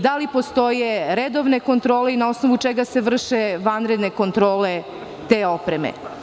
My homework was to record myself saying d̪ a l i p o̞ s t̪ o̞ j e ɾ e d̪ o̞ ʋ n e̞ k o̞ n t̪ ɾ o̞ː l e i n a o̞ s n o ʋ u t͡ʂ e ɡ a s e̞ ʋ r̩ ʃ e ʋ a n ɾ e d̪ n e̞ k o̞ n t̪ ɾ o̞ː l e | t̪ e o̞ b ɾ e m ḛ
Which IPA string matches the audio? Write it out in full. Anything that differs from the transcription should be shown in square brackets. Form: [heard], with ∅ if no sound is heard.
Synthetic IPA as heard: d̪ a l i p o̞ s t̪ o̞ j e ɾ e d̪ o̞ ʋ n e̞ k o̞ n t̪ ɾ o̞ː l e i n a o̞ s n o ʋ u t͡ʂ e ɡ a s e̞ ʋ r̩ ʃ e ʋ a n ɾ e d̪ n e̞ k o̞ n t̪ ɾ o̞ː l e | t̪ e o̞ [p] ɾ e m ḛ